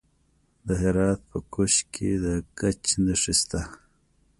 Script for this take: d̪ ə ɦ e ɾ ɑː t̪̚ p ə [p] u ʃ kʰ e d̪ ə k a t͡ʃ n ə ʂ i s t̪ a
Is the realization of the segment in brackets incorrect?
yes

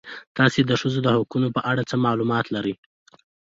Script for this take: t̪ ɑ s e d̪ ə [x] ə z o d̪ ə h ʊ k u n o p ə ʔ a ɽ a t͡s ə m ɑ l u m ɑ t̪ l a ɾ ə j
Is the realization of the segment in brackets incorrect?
yes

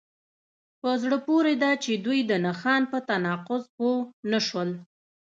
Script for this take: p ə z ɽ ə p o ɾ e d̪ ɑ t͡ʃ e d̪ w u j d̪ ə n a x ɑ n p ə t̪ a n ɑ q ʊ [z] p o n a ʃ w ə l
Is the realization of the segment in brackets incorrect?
no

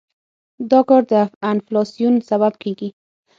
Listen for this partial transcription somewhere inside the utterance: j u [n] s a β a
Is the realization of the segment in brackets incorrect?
no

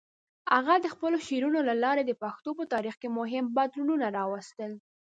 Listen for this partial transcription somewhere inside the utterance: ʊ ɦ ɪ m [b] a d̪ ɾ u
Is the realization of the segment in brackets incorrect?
no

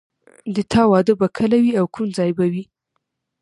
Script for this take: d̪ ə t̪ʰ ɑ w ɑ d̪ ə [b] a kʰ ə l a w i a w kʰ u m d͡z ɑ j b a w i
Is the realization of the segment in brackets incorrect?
no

